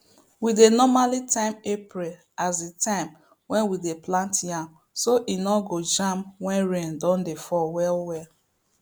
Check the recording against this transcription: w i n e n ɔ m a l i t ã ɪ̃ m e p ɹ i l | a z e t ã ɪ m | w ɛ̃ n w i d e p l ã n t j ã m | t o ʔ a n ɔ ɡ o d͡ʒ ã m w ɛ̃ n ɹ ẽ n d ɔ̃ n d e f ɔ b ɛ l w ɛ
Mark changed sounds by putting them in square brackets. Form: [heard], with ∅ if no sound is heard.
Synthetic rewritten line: w i [d] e n ɔ m a l i t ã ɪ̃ m e p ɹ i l | a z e t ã ɪ m | w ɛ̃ n w i d e p l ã n t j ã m | [s] o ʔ [i] n ɔ ɡ o d͡ʒ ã m w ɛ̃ n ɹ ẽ n d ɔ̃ n d e f ɔ [w] ɛ l w ɛ